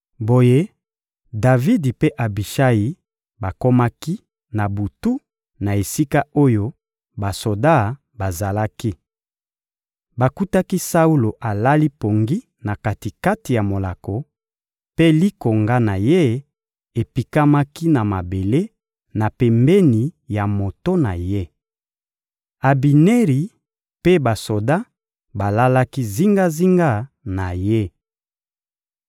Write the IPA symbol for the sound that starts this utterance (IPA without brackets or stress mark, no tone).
b